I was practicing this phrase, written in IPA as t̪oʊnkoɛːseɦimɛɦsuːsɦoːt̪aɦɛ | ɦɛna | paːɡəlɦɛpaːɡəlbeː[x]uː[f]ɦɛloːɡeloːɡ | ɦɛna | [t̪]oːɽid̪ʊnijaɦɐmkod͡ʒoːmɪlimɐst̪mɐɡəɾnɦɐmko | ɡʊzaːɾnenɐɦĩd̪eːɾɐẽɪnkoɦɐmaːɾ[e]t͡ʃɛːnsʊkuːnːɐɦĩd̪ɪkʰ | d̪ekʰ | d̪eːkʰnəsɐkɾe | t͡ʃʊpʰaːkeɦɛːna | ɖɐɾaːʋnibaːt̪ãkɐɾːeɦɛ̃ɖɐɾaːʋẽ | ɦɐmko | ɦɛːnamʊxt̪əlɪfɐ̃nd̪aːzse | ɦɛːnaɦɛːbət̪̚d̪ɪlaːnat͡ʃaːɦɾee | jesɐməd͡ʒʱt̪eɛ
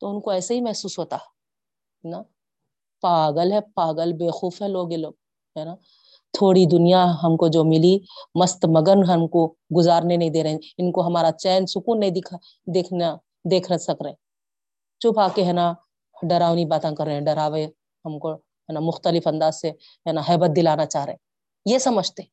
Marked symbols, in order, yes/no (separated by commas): yes, yes, no, no